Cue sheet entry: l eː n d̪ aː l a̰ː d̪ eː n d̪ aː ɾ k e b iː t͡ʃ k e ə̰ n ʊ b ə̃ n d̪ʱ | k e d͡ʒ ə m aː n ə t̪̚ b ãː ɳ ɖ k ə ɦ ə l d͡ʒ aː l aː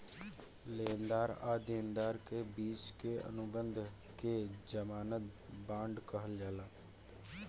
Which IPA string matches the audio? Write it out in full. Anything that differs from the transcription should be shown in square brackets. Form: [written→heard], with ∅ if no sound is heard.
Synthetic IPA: l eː n d̪ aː [l→ɾ] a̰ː d̪ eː n d̪ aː ɾ k e b iː t͡ʃ k e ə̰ n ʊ b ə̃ n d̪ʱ | k e d͡ʒ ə m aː n ə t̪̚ b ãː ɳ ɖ k ə ɦ ə l d͡ʒ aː l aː